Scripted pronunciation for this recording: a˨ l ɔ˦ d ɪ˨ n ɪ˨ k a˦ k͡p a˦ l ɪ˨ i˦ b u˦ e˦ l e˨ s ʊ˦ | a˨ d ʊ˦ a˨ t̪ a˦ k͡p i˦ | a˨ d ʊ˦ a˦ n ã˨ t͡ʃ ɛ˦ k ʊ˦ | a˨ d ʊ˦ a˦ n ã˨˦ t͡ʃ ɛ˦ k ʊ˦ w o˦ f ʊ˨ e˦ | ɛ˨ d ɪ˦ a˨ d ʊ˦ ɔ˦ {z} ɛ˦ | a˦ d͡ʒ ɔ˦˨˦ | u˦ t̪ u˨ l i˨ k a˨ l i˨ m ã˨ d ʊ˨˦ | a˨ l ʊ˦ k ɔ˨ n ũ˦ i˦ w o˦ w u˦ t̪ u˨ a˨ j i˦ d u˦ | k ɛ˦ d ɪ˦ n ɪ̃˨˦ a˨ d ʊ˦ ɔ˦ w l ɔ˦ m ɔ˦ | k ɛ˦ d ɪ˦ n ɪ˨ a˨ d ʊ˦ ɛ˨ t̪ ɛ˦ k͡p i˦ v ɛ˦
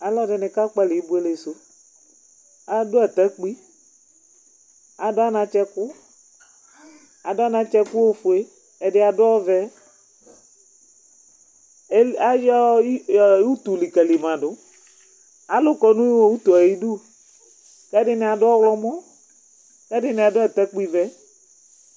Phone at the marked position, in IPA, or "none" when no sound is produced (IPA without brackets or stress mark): v